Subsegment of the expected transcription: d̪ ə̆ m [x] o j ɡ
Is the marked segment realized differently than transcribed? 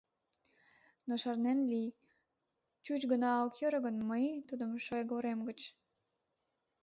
yes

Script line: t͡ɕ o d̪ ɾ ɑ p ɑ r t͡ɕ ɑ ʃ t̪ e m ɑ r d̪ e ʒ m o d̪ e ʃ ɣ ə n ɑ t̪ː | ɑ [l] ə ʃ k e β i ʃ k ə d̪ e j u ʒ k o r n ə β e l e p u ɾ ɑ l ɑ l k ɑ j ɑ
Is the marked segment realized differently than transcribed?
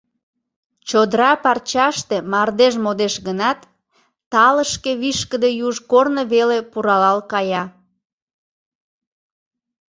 no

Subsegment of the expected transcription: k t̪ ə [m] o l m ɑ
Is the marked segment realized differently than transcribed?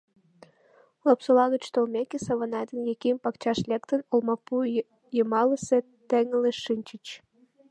yes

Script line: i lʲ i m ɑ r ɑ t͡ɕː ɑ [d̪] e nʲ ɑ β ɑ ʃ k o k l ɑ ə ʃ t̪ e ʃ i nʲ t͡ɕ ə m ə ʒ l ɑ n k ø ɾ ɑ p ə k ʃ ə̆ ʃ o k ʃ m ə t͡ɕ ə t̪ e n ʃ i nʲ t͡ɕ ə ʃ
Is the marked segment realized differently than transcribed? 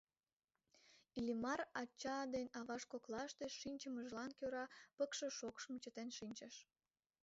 no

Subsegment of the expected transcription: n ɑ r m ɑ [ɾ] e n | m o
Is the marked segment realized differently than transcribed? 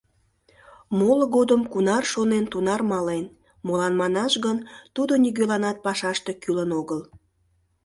yes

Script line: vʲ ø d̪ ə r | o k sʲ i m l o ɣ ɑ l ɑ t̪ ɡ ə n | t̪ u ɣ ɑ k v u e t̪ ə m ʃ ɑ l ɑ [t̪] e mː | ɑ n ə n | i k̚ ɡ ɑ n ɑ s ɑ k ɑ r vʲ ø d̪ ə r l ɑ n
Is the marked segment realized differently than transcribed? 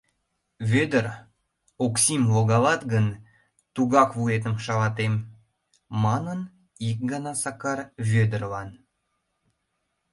no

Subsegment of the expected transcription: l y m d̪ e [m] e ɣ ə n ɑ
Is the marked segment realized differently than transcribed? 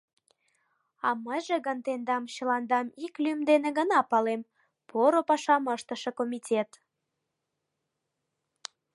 yes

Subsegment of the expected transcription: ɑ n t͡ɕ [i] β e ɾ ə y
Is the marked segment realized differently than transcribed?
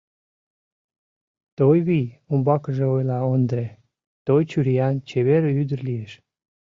yes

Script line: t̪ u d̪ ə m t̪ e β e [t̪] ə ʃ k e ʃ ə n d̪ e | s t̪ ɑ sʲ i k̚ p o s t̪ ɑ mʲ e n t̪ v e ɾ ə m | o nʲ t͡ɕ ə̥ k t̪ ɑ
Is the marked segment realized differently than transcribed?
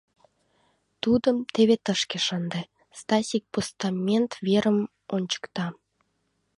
no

